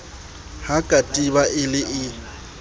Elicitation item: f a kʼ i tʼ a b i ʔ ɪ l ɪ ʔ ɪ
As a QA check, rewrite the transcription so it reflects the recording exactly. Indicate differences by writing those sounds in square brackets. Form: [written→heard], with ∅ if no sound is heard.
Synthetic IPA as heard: [f→h] a kʼ [i→a] tʼ [a→i] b [i→a] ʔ ɪ l ɪ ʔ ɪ